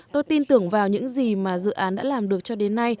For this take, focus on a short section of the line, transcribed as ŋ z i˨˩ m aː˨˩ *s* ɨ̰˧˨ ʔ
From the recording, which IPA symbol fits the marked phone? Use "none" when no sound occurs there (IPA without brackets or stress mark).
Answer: z